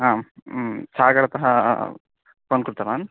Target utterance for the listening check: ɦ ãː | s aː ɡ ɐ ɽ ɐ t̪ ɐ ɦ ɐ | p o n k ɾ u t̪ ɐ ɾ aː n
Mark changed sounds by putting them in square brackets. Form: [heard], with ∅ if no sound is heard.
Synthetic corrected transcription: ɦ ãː | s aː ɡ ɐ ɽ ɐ t̪ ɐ ɦ ɐ | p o n k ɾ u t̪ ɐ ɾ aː n